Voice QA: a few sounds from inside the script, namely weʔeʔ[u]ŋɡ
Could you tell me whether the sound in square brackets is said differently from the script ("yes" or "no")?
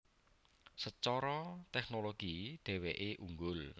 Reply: no